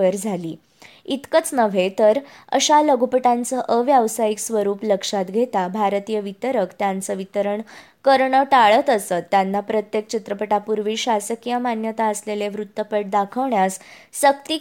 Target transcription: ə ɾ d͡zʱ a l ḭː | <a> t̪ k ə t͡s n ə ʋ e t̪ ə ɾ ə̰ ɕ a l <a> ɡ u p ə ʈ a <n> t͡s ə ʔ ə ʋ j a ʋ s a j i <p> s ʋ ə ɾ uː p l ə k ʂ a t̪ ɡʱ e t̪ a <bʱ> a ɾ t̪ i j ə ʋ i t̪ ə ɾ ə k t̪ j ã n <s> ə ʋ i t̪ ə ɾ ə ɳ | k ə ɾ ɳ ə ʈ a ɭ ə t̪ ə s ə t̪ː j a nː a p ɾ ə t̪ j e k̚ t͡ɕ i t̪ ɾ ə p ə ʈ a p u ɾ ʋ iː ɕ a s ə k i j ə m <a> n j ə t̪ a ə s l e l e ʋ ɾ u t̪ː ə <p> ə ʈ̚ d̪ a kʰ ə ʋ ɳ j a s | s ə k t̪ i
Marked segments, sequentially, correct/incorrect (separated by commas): incorrect, incorrect, correct, incorrect, correct, incorrect, correct, correct